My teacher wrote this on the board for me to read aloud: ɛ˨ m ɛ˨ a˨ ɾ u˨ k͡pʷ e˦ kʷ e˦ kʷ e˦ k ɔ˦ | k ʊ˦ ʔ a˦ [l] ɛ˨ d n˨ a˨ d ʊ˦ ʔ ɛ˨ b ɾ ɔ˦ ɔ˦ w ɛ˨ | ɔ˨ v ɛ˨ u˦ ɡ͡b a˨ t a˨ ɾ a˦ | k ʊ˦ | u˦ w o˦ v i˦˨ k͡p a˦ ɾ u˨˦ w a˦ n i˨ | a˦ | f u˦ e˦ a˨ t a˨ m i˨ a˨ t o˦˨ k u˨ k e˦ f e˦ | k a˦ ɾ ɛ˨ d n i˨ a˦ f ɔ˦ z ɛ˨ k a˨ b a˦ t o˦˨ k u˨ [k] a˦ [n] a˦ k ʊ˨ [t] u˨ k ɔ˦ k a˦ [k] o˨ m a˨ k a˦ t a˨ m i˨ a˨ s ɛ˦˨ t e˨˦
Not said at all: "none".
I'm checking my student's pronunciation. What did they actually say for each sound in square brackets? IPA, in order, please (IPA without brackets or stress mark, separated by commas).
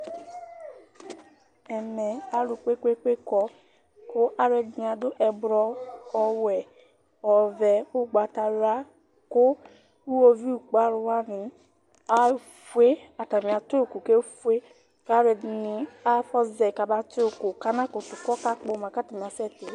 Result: ɾ, k, n, t, k͡p